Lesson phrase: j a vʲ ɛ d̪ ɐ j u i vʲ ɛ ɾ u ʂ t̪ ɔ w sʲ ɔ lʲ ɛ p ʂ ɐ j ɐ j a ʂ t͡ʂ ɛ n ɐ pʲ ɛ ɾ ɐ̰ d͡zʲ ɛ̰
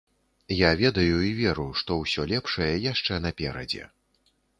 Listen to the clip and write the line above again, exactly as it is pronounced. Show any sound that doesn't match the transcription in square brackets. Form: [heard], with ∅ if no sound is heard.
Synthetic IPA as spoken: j a vʲ ɛ d̪ ɐ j u i vʲ ɛ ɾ u ʂ t̪ ɔ w sʲ ɔ lʲ ɛ p ʂ ɐ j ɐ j a ʂ t͡ʂ ɛ n ɐ pʲ ɛ ɾ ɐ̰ d͡zʲ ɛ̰